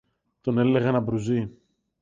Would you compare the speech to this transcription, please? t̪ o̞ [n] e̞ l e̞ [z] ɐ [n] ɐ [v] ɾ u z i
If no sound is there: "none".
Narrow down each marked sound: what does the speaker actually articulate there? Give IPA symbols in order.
n, ɣ, n, b

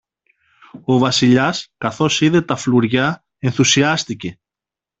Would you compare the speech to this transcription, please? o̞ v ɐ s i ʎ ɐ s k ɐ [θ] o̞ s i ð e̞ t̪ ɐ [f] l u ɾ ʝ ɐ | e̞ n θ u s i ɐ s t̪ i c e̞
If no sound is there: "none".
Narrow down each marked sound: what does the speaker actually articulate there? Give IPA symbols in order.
θ, f

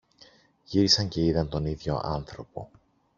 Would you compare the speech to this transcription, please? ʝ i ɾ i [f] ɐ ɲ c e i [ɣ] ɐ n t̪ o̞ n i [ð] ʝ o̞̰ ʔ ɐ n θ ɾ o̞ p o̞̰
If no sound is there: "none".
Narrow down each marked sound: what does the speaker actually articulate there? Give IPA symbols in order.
s, ð, ð

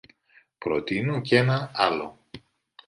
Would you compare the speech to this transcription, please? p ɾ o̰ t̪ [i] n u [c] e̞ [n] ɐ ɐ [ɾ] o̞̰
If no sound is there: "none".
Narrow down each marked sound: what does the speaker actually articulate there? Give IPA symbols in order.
i, c, n, l

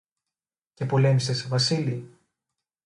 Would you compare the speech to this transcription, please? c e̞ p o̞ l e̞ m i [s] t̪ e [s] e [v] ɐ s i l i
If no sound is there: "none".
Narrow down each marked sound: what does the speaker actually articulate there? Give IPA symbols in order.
s, s, v

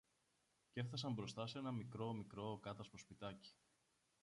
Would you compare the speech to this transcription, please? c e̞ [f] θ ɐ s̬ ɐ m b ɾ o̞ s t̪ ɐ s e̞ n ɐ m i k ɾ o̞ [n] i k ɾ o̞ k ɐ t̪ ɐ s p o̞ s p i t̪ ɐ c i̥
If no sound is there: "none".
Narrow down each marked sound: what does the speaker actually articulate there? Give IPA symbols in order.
f, m

